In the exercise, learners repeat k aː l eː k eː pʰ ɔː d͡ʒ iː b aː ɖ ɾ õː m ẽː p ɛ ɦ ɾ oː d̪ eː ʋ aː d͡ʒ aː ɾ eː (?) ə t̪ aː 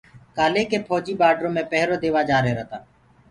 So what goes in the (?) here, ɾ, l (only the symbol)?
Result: ɾ